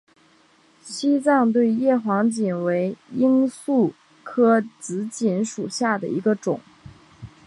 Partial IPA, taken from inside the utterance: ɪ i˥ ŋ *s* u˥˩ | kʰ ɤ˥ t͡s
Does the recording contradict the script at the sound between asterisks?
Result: no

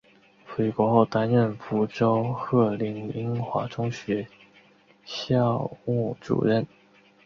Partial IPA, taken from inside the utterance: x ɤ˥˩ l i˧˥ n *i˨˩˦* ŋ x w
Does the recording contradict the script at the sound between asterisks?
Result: yes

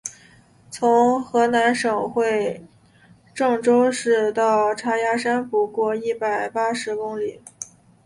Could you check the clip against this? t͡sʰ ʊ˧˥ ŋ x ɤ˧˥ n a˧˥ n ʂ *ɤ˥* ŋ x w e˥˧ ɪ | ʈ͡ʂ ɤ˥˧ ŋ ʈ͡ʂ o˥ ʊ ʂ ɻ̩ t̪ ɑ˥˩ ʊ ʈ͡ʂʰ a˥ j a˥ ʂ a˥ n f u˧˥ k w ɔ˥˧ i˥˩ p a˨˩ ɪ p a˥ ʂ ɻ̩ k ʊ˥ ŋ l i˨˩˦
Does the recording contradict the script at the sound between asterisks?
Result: yes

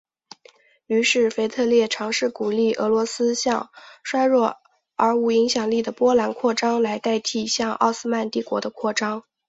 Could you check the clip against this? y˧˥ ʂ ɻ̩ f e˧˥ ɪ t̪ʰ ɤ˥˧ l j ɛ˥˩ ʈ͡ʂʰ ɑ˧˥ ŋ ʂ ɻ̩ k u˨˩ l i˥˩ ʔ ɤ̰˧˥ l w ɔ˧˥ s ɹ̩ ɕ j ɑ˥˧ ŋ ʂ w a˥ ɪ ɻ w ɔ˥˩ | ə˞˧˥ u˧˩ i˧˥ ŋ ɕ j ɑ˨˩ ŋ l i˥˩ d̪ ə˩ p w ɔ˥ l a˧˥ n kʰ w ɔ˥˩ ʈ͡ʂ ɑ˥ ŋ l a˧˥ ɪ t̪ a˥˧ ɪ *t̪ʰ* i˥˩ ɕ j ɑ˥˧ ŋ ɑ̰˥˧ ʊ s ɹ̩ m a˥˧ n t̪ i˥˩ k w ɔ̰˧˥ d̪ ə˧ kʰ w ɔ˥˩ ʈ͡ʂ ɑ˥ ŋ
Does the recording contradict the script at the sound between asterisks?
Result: no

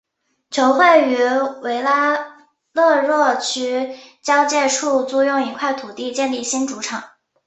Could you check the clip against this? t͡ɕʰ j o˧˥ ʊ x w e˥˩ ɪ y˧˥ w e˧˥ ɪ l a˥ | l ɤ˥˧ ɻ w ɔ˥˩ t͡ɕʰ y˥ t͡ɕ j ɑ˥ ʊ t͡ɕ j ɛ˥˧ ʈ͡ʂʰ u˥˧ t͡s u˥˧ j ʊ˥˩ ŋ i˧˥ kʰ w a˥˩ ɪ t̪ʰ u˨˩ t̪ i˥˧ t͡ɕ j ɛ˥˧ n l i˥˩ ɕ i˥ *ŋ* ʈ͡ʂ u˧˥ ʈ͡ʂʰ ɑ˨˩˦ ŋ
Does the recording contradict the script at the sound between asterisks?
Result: yes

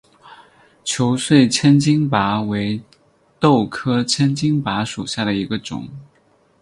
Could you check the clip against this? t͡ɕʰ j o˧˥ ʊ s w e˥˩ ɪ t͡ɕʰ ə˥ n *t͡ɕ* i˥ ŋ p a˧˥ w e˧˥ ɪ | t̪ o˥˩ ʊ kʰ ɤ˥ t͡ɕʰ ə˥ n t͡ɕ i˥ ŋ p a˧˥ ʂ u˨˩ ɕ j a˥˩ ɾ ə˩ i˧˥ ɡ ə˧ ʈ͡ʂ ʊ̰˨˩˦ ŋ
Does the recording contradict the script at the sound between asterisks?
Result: no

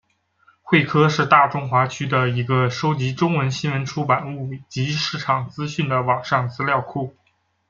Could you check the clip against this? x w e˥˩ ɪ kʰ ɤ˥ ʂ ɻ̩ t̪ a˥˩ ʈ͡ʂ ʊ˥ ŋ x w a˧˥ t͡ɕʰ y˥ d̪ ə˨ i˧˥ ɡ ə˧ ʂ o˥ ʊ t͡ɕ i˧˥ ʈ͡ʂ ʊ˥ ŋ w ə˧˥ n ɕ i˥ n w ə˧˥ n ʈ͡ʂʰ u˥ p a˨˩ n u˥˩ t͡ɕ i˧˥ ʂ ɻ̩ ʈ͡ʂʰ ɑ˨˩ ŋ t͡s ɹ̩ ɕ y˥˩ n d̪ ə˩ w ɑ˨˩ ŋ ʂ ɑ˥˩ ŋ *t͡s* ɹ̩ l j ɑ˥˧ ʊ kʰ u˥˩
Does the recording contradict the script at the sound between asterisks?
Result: no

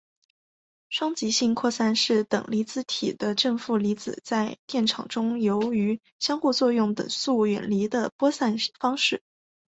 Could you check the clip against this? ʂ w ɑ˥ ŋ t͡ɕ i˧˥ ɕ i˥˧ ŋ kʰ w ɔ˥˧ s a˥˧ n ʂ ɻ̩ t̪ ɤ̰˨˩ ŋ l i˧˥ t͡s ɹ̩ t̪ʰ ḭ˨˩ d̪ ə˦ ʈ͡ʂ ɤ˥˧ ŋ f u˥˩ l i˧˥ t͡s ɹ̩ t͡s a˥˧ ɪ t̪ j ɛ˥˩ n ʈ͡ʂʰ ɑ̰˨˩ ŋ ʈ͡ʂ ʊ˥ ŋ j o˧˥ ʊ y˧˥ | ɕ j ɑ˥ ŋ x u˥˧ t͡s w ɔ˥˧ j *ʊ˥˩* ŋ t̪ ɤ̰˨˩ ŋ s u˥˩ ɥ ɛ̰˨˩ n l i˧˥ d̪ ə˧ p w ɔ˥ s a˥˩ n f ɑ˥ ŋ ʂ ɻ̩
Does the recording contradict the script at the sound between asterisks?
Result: no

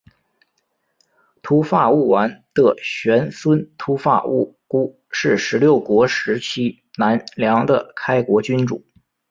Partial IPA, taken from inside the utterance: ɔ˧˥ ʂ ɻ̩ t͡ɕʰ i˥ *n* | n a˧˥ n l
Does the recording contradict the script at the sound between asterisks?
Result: yes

